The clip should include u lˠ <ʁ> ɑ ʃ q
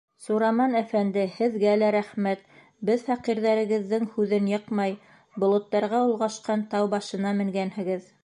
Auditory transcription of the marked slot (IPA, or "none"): ʁ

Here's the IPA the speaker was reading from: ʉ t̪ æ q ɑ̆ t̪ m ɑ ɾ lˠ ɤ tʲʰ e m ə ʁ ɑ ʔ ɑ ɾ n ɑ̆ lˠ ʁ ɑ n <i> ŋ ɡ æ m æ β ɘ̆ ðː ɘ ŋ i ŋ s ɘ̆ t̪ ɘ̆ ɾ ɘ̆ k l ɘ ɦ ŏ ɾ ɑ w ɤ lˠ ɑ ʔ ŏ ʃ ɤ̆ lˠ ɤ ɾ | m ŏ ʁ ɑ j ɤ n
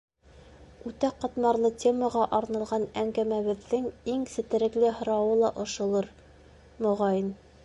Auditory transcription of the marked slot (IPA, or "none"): æ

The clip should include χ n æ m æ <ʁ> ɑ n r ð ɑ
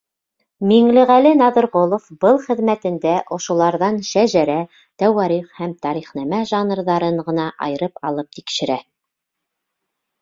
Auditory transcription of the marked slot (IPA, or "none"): ʒ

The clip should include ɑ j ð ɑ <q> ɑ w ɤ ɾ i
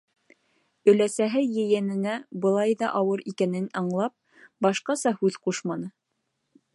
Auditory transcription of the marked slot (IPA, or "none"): ʔ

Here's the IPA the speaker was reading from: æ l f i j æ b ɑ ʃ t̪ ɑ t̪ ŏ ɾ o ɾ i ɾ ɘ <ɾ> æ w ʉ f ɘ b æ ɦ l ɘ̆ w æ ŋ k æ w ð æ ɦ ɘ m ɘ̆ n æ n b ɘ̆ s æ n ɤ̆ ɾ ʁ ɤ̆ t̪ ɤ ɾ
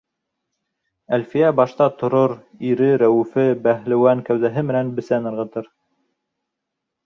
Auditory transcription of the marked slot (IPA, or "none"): ɾ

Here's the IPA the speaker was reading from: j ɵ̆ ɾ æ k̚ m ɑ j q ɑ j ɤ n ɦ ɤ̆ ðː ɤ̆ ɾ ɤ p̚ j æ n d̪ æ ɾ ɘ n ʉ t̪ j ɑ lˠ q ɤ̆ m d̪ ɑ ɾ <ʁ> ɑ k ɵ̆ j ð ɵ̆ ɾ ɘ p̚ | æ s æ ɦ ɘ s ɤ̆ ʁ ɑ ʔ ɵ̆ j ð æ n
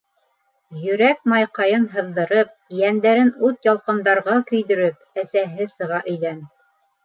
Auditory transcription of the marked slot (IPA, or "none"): ʁ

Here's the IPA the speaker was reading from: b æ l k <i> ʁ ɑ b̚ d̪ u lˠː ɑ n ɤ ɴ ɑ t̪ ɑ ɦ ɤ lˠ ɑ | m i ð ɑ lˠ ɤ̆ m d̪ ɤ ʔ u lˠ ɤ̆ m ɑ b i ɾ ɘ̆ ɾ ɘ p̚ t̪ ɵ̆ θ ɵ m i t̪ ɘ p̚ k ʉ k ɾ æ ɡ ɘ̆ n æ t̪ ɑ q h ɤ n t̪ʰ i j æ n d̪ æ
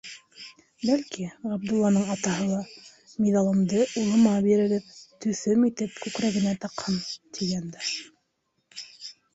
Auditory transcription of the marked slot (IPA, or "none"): i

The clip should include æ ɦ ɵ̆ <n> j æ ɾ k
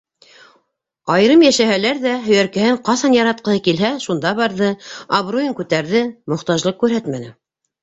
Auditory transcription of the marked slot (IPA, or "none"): none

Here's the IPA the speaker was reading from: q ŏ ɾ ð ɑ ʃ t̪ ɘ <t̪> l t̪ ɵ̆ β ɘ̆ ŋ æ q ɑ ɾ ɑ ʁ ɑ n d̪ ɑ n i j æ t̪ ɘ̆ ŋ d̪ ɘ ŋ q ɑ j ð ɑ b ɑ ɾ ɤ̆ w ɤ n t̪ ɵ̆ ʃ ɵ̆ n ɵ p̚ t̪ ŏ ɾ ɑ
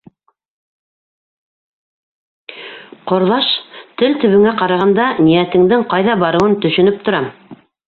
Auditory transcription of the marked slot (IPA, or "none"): none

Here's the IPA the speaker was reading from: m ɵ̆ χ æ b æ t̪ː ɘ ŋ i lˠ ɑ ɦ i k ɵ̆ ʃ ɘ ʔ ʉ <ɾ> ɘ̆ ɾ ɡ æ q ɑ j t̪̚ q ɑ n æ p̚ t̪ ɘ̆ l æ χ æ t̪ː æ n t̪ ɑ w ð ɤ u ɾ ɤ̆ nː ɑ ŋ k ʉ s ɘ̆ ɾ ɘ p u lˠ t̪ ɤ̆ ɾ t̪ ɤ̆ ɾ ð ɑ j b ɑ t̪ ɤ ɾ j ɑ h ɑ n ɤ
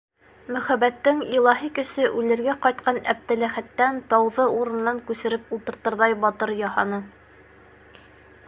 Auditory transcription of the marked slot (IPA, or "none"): l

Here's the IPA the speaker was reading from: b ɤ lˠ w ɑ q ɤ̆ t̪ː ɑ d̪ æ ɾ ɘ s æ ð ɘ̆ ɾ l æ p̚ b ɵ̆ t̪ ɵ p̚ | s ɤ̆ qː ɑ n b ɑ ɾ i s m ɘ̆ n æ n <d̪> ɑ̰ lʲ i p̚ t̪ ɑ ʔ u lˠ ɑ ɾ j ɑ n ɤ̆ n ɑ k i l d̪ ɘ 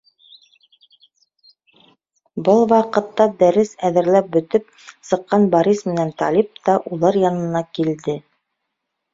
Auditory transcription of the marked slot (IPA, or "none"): t̪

